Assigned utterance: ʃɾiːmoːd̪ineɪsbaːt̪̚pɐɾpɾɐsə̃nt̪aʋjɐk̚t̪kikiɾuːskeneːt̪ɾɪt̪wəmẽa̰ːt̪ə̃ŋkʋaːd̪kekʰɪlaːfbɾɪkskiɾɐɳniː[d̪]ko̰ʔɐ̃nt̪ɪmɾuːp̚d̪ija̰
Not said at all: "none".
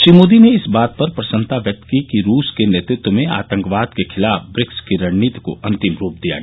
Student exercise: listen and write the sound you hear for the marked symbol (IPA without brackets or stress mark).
t̪